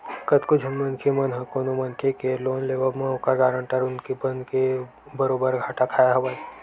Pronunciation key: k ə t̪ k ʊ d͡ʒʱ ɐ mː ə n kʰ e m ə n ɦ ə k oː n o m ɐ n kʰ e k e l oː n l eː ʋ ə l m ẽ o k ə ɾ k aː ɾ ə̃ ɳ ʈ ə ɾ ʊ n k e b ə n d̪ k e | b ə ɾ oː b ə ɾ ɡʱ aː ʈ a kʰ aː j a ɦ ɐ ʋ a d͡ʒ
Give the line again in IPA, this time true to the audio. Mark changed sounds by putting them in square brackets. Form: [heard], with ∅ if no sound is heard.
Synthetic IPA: k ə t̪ k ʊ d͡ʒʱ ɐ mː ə n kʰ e m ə n ɦ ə k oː n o m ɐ n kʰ e k e l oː n l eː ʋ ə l m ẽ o k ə ɾ [ɡ] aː ɾ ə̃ ɳ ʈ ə ɾ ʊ n k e b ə n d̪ k e | b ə ɾ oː b ə ɾ ɡʱ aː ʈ a kʰ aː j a ɦ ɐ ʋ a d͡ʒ